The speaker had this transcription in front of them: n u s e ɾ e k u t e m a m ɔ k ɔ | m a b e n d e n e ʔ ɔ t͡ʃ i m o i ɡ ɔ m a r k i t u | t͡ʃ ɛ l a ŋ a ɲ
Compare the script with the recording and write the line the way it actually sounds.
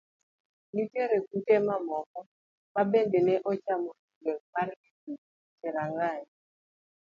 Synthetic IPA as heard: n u t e ɾ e k u t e m a m ɔ k ɔ | m a b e n d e n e ʔ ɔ t͡ʃ a m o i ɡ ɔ m a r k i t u | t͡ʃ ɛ ɾ a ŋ a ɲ